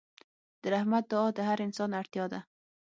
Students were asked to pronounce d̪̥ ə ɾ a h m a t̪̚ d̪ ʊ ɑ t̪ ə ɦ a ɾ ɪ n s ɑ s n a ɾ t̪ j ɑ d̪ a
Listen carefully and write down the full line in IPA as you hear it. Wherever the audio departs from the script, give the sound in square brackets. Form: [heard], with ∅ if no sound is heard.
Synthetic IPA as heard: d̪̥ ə ɾ a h m a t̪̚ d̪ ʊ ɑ [d̪] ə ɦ a ɾ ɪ n s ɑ [∅] n a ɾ t̪ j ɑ d̪ a